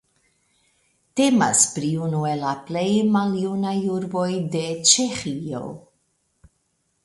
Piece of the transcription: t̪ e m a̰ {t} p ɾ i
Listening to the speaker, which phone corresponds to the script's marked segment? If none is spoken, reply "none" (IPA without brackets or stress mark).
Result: s